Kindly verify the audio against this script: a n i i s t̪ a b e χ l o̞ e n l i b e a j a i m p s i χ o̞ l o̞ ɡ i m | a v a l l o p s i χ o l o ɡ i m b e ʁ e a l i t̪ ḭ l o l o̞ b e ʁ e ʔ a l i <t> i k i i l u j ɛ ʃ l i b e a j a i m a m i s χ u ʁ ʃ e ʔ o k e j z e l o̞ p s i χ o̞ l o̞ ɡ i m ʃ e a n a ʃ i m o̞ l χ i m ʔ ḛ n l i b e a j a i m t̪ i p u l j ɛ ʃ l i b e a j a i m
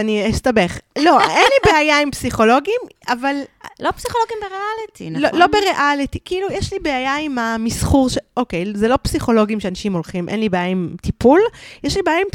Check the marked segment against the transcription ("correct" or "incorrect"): correct